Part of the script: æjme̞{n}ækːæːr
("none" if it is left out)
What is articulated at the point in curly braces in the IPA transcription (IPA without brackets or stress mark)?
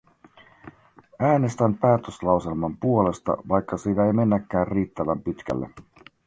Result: nː